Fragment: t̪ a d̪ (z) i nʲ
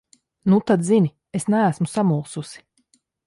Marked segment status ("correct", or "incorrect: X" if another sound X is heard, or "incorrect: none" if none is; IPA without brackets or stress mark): correct